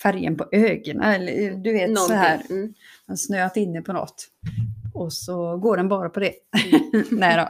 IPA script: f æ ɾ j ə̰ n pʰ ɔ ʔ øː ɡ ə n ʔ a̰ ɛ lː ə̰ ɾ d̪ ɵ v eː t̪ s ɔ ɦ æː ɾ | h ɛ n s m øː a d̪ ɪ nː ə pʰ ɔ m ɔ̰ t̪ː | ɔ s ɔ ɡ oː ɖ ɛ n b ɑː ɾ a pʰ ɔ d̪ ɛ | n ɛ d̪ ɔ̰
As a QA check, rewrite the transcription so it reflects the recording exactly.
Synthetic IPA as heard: f æ ɾ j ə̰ n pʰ ɔ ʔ øː ɡ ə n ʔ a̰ ɛ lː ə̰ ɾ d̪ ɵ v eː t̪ s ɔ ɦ æː ɾ | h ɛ n s n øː a t̪ ɪ nː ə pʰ ɔ n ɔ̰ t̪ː | ɔ s ɔ ɡ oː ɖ ɛ n b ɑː ɾ a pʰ ɔ d̪ ɛ | n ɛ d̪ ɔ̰